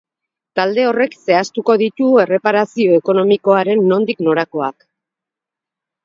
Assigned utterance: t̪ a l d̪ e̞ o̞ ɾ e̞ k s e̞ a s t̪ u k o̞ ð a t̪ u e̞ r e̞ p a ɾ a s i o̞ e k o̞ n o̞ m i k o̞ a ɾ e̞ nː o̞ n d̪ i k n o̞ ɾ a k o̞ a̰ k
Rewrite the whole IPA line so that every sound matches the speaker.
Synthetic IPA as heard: t̪ a l d̪ e̞ o̞ r e̞ k s e̞ a s t̪ u k o̞ ð i t̪ u e̞ r e̞ p a ɾ a s i o̞ e k o̞ n o̞ m i k o̞ a ɾ e̞ nː o̞ n d̪ i k n o̞ ɾ a k o̞ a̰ k